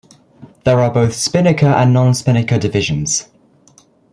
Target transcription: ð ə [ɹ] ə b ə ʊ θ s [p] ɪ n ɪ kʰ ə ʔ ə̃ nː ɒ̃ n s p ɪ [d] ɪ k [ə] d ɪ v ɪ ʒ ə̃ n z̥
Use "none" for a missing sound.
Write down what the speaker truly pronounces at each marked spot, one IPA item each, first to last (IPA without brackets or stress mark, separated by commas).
ɹ, p, n, ə